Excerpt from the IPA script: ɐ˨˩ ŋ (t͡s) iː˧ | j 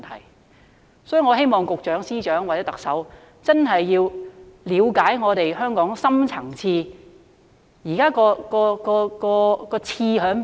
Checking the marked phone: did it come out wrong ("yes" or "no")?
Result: yes